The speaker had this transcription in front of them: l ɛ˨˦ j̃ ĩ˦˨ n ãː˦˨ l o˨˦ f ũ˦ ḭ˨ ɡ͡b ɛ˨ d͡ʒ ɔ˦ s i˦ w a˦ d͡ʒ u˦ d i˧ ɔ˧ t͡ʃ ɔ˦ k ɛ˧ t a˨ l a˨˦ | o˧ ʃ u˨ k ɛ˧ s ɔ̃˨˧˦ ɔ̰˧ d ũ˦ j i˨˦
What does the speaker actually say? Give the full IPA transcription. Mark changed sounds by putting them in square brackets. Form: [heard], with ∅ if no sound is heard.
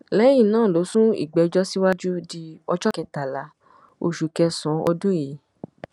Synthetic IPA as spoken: l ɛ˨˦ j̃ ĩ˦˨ n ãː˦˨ l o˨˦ [s] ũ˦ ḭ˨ ɡ͡b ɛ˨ d͡ʒ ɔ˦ s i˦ w a˦ d͡ʒ u˦ d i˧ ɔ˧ t͡ʃ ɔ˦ k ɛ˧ t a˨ l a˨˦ | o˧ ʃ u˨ k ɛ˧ s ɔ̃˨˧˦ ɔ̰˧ d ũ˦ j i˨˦